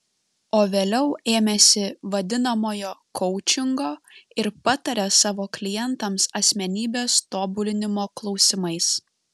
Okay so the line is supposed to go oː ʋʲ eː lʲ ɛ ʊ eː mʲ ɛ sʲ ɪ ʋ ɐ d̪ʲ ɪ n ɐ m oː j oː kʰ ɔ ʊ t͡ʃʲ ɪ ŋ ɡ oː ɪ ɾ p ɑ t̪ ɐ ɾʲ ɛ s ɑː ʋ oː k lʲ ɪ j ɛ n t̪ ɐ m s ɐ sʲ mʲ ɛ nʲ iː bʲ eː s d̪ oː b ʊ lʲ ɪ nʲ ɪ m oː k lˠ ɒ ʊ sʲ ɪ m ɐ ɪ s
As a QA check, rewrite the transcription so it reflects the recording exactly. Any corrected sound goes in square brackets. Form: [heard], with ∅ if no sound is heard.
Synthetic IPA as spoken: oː ʋʲ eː lʲ ɛ ʊ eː mʲ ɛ sʲ ɪ ʋ ɐ d̪ʲ ɪ n ɐ m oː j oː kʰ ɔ ʊ t͡ʃʲ ɪ ŋ ɡ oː ɪ ɾ p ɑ t̪ ɐ ɾʲ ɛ s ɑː ʋ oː k lʲ ɪ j ɛ n t̪ ɐ m s ɐ sʲ mʲ ɛ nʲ iː bʲ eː s [t̪] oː b ʊ lʲ ɪ nʲ ɪ m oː k lˠ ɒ ʊ sʲ ɪ m ɐ ɪ s